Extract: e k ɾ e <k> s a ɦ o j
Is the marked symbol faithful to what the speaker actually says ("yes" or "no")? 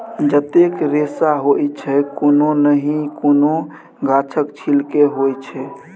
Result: no